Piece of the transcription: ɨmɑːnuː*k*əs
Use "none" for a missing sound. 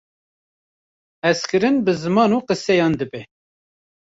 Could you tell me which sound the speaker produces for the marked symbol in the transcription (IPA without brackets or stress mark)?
q